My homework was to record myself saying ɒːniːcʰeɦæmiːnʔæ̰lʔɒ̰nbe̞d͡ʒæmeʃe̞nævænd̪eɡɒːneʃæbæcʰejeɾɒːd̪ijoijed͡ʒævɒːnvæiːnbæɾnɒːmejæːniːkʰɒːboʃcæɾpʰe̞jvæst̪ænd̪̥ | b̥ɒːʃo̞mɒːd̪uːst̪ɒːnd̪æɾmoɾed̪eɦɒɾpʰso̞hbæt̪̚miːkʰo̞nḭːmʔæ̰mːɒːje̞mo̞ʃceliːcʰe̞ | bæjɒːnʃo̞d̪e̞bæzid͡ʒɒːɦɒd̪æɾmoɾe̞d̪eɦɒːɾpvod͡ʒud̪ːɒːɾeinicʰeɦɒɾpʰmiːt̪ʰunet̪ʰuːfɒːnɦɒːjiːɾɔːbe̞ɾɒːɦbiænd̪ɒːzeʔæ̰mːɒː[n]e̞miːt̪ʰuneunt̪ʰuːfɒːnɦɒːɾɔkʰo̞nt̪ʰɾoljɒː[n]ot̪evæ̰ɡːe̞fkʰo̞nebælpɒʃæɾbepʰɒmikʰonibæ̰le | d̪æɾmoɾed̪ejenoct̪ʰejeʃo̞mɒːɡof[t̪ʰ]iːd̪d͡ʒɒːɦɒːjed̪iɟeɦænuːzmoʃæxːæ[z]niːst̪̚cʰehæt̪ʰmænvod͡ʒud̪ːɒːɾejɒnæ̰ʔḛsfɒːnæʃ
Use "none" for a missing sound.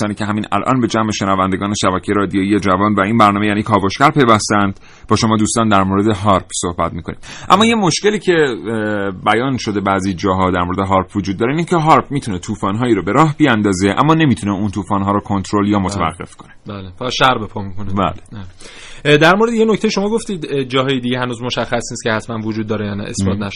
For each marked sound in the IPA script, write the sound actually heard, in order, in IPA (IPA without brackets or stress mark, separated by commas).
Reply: n, m, t̪, s